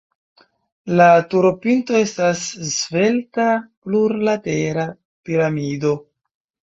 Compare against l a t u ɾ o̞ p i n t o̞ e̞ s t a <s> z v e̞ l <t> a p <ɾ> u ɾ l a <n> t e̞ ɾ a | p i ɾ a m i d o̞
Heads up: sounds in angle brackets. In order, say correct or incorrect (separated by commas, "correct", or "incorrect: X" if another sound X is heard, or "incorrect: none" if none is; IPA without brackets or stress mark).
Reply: correct, correct, incorrect: l, incorrect: none